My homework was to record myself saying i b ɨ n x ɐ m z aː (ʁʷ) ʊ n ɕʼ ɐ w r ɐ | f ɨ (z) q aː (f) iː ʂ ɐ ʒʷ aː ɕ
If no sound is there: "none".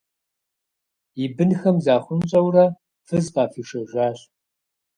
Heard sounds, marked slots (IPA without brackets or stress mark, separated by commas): χʷ, z, f